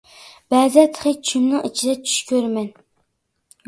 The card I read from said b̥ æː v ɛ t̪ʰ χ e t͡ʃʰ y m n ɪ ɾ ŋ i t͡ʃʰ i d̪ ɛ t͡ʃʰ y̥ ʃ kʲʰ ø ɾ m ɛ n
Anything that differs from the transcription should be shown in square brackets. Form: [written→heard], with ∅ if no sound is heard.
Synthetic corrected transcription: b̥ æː [v→z] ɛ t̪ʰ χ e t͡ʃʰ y m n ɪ [ɾ→∅] ŋ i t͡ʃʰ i d̪ ɛ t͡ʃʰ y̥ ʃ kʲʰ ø ɾ m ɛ n